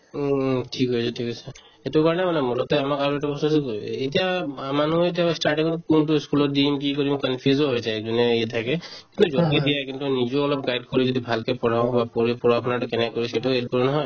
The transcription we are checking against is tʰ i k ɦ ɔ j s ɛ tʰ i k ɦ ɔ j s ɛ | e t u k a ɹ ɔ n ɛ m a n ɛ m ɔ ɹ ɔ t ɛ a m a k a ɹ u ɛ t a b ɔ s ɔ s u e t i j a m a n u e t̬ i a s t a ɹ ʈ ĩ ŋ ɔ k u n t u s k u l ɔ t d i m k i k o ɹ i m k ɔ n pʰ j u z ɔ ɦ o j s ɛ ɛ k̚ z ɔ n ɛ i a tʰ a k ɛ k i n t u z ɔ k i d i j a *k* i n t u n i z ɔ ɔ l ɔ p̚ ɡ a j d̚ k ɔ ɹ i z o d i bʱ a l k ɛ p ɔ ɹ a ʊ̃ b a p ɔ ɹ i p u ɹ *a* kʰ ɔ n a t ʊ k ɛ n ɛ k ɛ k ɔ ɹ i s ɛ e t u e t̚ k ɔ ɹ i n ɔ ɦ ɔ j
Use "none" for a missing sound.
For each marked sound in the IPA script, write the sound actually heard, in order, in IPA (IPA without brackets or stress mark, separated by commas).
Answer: k, a